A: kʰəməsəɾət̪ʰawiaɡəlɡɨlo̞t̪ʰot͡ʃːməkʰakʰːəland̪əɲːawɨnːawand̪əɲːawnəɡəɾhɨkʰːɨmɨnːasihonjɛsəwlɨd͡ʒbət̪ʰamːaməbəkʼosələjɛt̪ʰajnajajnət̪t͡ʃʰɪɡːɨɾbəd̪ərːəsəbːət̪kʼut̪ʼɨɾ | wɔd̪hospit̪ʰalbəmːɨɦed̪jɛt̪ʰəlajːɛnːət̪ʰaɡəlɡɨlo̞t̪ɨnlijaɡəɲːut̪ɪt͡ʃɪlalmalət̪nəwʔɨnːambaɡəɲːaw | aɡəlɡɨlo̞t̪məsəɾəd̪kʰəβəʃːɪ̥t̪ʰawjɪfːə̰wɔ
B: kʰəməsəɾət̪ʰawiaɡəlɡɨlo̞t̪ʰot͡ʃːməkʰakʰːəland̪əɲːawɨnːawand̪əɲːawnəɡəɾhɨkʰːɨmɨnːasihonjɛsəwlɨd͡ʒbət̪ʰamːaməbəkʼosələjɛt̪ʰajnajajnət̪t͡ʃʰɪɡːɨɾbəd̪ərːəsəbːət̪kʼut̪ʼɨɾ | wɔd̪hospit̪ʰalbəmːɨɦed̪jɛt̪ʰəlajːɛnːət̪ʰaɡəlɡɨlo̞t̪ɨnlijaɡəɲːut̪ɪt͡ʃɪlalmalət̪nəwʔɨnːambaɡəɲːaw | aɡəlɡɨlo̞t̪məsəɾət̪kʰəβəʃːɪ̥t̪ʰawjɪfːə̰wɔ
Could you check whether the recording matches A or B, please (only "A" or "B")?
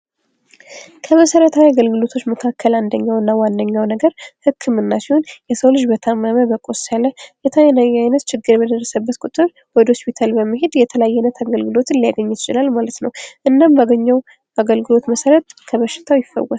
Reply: B